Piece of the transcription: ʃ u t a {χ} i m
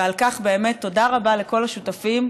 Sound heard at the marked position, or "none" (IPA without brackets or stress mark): f